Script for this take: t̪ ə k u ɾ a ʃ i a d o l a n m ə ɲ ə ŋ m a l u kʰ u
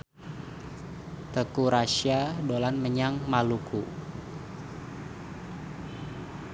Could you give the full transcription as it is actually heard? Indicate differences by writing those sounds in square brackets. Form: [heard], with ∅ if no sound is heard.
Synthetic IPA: t̪ ə k u ɾ a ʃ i a d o l a n m ə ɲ [a] ŋ m a l u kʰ u